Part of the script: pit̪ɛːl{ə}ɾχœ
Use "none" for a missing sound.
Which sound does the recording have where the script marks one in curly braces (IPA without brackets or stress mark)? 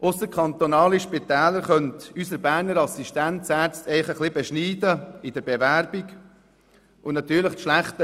ə